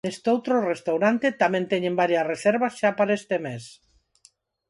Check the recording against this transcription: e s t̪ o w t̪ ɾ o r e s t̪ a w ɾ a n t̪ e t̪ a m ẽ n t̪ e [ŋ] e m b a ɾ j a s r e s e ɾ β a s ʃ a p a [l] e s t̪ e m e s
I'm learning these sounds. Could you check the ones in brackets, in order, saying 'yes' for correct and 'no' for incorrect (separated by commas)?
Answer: no, no